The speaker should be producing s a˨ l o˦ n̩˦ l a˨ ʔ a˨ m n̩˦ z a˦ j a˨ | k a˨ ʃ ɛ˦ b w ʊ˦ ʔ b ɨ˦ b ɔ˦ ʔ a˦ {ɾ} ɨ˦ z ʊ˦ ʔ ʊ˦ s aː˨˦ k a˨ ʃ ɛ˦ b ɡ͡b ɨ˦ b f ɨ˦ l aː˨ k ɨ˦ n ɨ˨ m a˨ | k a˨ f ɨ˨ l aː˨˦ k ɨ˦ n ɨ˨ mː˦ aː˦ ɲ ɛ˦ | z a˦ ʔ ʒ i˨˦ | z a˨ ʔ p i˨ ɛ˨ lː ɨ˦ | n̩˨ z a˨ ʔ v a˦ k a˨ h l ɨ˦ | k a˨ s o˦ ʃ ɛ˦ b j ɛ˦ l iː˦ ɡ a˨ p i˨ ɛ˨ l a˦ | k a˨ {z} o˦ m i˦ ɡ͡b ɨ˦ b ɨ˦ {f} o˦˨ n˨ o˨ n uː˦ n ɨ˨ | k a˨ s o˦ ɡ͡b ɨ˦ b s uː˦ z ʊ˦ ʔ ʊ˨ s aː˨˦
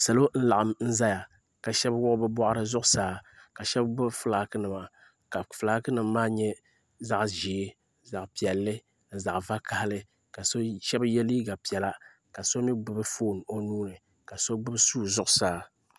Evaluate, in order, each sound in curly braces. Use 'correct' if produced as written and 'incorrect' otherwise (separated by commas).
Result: correct, incorrect, correct